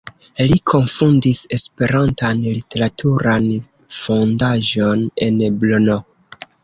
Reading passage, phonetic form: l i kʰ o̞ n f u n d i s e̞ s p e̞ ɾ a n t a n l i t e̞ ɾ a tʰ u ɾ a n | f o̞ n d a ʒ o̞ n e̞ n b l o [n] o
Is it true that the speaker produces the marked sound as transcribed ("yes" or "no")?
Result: yes